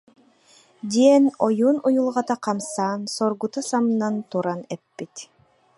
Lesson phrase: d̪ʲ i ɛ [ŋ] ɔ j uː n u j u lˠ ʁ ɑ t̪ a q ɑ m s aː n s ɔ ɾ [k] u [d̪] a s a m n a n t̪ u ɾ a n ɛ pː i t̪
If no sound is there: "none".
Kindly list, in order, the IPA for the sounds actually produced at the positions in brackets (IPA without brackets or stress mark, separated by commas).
n, ɡ, t̪